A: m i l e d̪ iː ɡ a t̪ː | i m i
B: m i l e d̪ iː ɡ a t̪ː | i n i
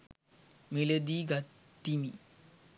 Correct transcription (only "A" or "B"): A